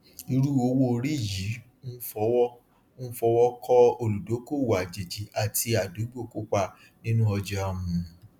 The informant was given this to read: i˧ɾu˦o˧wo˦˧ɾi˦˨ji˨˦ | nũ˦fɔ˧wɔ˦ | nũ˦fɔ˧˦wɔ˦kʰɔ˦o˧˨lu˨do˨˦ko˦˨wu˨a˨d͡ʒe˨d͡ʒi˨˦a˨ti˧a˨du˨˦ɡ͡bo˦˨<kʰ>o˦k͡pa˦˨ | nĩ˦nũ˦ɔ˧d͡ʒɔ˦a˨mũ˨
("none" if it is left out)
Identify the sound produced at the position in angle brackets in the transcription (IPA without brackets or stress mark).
k